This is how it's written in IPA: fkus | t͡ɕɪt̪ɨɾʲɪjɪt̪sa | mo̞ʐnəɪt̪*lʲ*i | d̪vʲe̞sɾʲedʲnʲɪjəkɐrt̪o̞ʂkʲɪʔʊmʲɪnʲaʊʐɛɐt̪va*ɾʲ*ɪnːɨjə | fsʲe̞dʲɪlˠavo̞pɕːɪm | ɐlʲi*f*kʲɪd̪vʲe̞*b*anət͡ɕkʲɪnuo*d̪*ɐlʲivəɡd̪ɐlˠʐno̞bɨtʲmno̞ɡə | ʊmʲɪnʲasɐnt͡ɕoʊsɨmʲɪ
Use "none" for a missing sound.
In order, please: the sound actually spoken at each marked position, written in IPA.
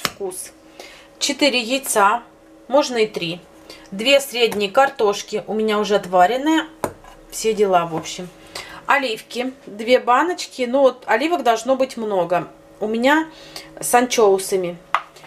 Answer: ɾʲ, ɾʲ, f, b, t̪

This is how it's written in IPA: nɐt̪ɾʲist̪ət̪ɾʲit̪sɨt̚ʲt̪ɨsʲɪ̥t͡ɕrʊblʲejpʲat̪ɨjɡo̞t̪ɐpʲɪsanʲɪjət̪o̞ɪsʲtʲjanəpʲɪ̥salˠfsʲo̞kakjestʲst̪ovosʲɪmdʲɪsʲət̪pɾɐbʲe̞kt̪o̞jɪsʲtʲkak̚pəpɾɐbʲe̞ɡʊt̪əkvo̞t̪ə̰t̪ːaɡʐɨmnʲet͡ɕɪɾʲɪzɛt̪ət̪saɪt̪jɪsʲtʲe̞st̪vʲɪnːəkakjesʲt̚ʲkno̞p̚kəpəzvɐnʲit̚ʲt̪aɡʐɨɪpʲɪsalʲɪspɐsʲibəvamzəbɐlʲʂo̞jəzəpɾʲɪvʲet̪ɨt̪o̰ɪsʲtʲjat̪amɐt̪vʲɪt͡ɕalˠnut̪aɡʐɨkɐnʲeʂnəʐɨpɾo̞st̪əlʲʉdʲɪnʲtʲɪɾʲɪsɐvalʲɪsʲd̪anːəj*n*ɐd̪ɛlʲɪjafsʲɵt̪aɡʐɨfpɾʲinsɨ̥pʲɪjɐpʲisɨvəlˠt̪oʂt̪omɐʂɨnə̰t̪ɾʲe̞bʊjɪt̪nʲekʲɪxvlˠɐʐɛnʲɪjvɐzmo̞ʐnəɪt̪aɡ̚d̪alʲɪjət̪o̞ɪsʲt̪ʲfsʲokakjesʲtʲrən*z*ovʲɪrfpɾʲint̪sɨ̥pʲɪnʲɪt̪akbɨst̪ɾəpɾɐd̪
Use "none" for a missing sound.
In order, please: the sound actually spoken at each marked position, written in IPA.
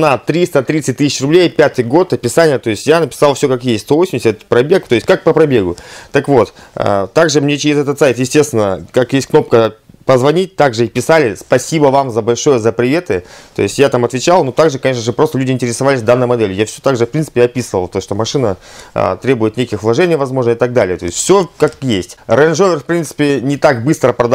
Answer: m, ʐ

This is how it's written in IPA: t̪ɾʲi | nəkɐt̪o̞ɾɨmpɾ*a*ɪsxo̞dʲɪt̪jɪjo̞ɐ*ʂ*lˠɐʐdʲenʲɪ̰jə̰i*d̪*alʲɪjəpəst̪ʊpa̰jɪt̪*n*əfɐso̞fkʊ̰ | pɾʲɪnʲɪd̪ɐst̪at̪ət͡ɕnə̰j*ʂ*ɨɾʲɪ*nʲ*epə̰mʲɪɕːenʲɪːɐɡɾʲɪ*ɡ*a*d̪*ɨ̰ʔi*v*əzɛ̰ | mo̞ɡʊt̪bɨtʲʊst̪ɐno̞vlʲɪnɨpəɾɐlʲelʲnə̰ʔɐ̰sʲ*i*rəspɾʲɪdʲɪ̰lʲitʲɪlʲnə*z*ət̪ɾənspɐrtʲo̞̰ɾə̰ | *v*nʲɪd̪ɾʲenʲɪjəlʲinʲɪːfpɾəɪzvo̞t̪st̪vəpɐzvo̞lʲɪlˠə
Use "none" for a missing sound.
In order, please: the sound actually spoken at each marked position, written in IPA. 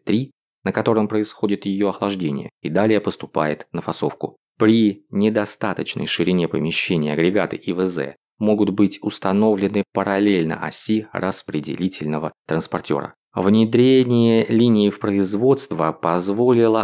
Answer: ə, x, d̪, n, ʂ, nʲ, ɡ, t̪, v, i, v, v

